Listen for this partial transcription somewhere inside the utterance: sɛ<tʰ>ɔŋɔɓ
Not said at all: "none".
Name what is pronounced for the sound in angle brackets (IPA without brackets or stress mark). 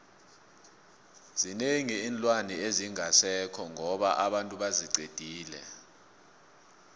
kʰ